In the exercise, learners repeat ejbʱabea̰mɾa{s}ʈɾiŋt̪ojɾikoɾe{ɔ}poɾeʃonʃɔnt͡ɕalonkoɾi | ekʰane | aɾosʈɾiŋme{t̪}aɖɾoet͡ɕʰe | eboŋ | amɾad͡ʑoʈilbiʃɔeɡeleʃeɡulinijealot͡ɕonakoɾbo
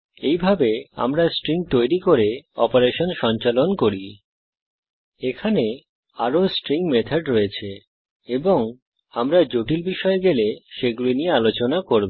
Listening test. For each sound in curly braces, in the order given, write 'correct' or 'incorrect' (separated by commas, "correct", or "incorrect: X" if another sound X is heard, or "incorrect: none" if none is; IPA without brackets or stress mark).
correct, correct, incorrect: t̪ʰ